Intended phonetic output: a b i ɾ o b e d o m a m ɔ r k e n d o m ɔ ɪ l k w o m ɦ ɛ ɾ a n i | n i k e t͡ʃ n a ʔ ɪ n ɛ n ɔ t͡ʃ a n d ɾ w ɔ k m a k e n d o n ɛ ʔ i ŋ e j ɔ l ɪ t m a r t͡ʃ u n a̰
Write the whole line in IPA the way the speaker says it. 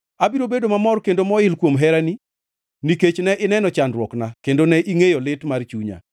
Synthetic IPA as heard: a b i ɾ o b e d o m a m ɔ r k e n d o m ɔ ɪ l k w o m ɦ ɛ ɾ a n i | n i k e t͡ʃ n ɛ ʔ ɪ n ɛ n ɔ t͡ʃ a n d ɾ w ɔ k n a k e n d o n ɛ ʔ i ŋ e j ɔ l ɪ t m a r t͡ʃ u ɲ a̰